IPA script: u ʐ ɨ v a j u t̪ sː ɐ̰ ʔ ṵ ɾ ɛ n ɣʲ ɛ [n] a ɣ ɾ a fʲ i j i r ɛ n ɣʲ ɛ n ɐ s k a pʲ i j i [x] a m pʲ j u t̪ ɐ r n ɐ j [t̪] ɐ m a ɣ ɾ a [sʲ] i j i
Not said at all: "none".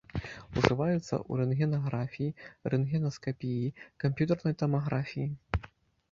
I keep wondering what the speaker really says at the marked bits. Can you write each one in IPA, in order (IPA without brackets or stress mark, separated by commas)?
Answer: n, k, t̪, fʲ